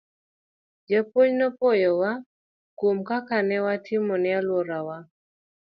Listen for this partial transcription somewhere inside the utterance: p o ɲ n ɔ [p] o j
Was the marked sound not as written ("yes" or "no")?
no